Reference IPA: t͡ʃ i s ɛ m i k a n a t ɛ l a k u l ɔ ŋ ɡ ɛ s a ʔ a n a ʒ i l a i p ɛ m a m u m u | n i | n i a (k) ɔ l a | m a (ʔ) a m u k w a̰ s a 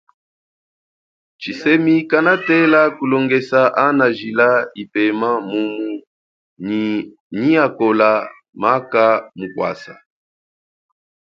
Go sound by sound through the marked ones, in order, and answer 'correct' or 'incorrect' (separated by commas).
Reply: correct, incorrect